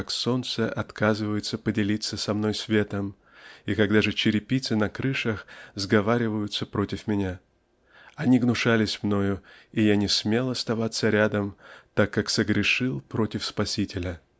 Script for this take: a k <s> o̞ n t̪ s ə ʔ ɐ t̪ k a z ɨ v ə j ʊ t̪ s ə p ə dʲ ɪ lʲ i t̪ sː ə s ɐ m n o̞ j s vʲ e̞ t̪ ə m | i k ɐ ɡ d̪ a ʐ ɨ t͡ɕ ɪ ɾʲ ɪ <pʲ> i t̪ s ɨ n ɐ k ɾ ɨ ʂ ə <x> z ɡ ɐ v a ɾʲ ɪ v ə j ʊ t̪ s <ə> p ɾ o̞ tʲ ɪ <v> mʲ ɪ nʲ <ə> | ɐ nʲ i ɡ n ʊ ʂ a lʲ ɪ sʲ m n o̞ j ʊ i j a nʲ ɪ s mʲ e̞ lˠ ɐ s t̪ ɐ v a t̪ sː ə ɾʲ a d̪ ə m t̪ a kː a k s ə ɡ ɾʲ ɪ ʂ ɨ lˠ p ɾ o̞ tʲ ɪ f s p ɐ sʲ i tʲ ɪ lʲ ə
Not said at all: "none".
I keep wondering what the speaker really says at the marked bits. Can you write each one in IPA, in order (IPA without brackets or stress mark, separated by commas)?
s, pʲ, x, ə, f, a